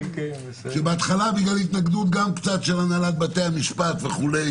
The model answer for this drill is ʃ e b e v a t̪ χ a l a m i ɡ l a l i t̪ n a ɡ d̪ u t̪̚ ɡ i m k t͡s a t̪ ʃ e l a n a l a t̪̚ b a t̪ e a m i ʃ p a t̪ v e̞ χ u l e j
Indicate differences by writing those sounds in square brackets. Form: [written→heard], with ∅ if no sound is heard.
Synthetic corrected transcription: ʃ e b e [v→∅] a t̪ χ a l a [m→b] i ɡ l a l i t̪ n a ɡ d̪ u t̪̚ ɡ [i→a] m k t͡s a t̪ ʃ e l a n a l a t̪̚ b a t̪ e a m i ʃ p a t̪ v e̞ χ u l e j